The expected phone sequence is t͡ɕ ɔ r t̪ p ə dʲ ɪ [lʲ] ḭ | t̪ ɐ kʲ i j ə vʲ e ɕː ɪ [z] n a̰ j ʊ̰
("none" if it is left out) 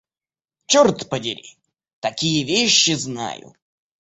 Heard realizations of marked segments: ɾʲ, z

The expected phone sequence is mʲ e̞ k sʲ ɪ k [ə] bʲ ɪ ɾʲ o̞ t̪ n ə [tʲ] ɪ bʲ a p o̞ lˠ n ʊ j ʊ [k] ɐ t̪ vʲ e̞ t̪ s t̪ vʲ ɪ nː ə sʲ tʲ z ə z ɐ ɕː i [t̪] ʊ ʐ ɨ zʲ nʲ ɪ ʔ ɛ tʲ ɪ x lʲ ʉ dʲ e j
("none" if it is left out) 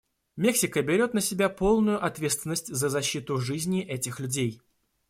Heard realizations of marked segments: ə, sʲ, ʔ, t̪

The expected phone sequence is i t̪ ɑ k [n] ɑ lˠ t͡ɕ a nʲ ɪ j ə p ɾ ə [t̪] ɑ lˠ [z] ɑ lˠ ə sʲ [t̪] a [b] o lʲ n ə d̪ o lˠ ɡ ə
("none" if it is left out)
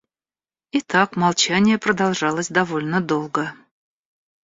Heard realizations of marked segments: m, d̪, ʐ, d̪, v

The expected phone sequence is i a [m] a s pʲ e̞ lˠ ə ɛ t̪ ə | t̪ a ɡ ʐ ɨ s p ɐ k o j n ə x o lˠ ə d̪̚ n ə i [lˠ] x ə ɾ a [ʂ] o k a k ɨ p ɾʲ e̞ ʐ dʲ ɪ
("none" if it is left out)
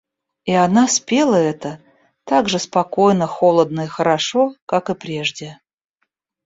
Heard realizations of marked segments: n, none, ʂ

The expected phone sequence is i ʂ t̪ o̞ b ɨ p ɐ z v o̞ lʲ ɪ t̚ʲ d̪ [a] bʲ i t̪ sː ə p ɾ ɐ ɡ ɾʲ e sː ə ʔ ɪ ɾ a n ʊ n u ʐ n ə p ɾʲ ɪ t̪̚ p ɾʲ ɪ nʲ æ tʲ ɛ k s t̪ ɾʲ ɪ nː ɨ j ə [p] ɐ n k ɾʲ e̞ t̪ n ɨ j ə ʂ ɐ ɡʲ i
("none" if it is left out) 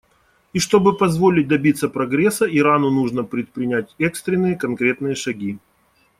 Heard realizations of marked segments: ɐ, k

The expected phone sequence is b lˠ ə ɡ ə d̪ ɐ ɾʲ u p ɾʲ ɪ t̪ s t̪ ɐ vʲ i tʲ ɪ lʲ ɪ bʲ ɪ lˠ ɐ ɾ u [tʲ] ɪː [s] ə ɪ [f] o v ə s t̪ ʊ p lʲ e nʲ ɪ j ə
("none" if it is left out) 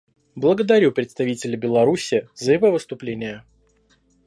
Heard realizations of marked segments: sʲ, z, v

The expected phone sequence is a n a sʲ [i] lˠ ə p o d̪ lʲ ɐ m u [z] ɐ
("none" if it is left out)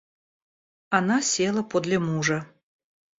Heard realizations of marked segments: e, ʐ

